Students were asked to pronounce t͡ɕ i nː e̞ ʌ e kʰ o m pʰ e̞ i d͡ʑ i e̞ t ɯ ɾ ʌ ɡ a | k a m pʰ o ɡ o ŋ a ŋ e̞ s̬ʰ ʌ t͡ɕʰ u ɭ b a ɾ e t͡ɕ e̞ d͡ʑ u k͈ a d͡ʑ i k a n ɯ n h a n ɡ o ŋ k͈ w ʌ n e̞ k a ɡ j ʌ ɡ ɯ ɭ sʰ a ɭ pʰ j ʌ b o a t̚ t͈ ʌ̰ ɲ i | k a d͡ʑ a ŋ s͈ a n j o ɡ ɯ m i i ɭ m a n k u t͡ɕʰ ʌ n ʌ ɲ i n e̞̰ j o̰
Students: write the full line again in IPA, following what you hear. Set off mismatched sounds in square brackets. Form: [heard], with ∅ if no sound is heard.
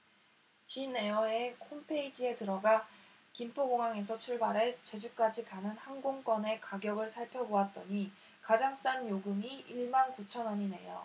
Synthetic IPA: t͡ɕ i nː e̞ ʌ e kʰ o m pʰ e̞ i d͡ʑ i e̞ t ɯ ɾ ʌ ɡ a | k [i] m pʰ o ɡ o ŋ a ŋ e̞ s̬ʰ ʌ t͡ɕʰ u ɭ b a ɾ e t͡ɕ e̞ d͡ʑ u k͈ a d͡ʑ i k a n ɯ n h a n ɡ o ŋ k͈ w ʌ n e̞ k a ɡ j ʌ ɡ ɯ ɭ sʰ a ɭ pʰ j ʌ b o a t̚ t͈ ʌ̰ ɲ i | k a d͡ʑ a ŋ s͈ a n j o ɡ ɯ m i i ɭ m a n k u t͡ɕʰ ʌ n ʌ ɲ i n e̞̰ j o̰